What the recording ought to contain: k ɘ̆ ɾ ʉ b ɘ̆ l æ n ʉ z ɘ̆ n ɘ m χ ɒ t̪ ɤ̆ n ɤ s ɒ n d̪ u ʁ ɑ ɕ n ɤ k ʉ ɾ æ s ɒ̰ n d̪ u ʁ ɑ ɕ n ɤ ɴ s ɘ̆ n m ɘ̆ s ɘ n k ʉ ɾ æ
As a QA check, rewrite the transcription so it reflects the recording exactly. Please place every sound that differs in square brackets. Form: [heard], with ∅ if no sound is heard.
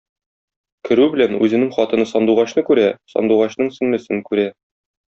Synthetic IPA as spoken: k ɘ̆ ɾ ʉ b ɘ̆ l æ n ʉ z ɘ̆ n ɘ [ŋ] χ ɒ t̪ ɤ̆ n ɤ s ɒ n d̪ u ʁ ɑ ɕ n ɤ k ʉ ɾ æ s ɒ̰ n d̪ u ʁ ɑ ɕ n ɤ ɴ s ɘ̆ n m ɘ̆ s ɘ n k ʉ ɾ æ